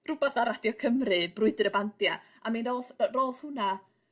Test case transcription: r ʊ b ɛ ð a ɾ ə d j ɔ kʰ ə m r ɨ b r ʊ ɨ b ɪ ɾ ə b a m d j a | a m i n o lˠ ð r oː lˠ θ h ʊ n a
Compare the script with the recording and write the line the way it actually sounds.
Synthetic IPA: r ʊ b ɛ θ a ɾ a d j ɔ kʰ ə m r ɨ b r ʊ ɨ d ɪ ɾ ə b a n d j a | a m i n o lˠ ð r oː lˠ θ h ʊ n a